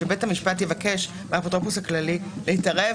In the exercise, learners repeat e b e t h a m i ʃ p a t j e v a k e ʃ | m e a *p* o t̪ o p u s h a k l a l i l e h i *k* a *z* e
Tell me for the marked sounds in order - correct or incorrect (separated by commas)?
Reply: correct, incorrect, incorrect